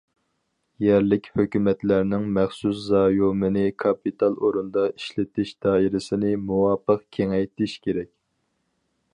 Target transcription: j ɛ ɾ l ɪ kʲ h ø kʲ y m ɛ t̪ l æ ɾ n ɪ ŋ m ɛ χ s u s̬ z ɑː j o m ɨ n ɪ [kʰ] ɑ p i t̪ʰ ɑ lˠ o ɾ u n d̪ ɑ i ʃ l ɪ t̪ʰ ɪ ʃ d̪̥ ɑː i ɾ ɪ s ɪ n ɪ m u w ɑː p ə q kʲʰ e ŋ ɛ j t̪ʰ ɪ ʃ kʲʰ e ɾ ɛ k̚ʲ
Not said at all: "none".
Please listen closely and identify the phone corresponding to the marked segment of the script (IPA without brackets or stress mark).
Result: kʰ